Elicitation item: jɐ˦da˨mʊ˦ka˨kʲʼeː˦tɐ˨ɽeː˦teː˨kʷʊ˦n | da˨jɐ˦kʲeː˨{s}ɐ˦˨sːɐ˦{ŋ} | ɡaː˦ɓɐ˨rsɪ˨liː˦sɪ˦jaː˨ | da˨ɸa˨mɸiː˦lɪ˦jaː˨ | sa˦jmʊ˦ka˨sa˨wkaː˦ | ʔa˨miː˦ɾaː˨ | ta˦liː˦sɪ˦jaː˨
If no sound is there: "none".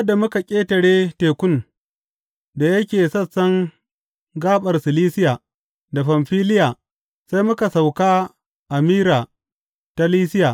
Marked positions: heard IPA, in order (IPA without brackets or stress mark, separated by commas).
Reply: s, ŋ